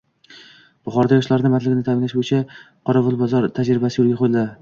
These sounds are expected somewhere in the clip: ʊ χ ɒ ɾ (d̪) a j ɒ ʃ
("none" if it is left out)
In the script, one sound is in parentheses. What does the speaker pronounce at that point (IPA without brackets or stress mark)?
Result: d̪